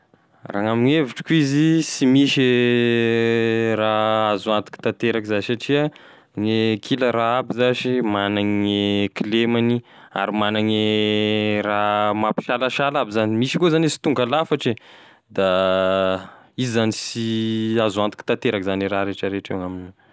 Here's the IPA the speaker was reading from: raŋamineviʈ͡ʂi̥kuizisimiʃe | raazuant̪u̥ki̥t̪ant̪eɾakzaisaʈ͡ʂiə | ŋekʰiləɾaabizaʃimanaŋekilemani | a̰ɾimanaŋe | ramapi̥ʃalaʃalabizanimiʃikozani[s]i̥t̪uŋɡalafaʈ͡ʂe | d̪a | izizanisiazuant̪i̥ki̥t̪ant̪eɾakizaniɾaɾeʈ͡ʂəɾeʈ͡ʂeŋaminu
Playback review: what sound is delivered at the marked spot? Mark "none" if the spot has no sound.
s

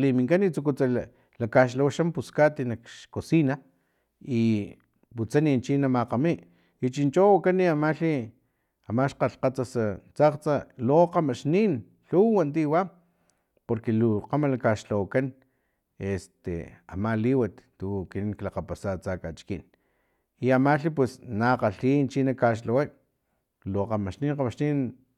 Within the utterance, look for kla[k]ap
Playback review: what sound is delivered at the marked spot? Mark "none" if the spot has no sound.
q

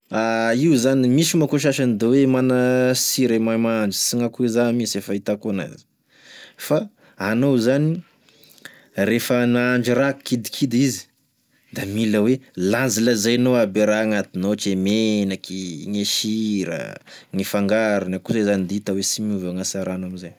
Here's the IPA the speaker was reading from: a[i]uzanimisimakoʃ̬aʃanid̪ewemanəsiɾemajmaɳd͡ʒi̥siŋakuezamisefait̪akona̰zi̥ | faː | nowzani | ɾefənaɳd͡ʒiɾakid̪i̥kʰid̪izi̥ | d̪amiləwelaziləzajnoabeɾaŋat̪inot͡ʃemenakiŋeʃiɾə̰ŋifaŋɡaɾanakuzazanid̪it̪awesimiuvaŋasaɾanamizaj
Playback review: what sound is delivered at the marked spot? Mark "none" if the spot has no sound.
i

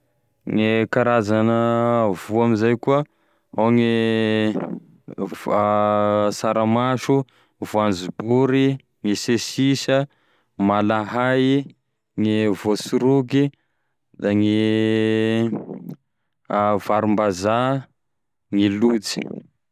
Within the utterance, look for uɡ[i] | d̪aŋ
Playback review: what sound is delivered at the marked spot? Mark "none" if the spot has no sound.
i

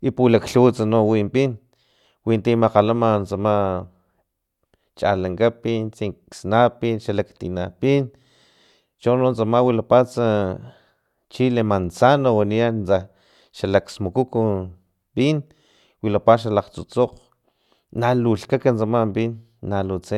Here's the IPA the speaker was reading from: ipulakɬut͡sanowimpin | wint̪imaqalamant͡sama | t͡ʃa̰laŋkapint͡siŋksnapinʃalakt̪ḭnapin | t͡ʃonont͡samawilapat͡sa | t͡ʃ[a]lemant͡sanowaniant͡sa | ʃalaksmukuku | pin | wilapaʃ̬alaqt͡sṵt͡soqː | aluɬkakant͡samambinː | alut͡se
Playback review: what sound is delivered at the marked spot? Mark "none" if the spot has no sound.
i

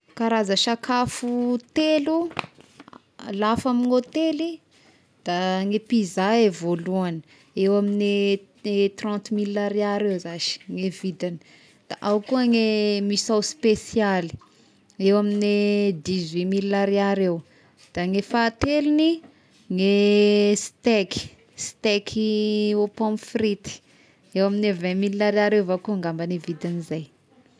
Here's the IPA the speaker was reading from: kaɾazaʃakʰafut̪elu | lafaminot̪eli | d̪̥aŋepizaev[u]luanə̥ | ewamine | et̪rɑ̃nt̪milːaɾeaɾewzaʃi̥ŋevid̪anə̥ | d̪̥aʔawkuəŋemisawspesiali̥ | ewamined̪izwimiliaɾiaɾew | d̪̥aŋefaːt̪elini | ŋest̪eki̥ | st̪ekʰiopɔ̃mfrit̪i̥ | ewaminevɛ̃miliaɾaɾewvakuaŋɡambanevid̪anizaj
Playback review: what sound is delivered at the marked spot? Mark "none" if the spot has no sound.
o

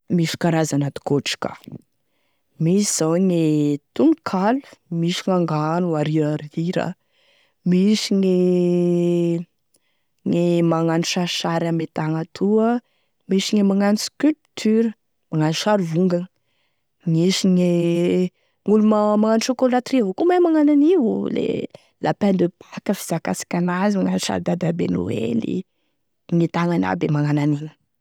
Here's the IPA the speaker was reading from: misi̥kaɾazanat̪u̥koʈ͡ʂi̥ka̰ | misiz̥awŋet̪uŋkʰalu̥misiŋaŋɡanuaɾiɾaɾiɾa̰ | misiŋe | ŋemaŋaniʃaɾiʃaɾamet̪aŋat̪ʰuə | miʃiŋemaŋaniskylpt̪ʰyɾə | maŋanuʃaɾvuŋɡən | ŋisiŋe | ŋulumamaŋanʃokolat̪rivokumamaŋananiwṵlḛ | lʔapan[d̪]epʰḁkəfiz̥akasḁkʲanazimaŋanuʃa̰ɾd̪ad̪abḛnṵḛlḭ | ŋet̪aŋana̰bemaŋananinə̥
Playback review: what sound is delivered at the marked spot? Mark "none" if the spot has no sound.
d̪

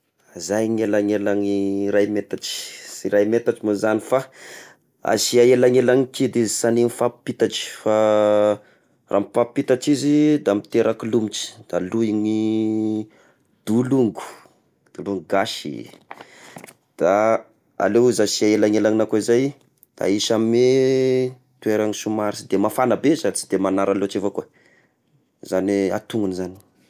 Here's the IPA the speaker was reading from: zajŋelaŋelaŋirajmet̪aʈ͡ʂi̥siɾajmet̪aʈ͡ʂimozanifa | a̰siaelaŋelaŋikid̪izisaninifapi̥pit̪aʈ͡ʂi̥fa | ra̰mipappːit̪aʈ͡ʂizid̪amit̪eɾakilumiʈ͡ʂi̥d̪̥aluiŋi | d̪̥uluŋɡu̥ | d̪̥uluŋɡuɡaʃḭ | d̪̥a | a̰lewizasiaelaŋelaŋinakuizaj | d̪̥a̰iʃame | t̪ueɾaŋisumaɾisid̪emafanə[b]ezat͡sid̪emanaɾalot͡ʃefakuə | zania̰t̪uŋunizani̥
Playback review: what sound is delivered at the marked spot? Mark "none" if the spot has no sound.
b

